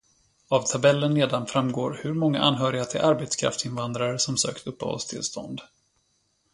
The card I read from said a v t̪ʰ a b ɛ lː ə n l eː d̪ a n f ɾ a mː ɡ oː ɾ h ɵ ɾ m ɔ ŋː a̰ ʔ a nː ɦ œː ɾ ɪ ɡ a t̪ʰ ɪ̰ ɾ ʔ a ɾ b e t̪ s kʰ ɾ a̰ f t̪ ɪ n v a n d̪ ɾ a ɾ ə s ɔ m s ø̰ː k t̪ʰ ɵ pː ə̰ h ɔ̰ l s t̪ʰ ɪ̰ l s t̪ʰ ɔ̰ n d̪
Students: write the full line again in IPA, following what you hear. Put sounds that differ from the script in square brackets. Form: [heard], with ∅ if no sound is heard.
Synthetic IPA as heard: a v t̪ʰ a b ɛ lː ə n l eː d̪ a n f ɾ a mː ɡ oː ɾ h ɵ ɾ m ɔ ŋː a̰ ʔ a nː ɦ œː ɾ ɪ ɡ a t̪ʰ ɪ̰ [l] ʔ a ɾ b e t̪ s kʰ ɾ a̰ f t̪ ɪ n v a n d̪ ɾ a ɾ ə s ɔ m s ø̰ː k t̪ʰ ɵ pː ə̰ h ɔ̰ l s t̪ʰ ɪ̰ l s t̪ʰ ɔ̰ n d̪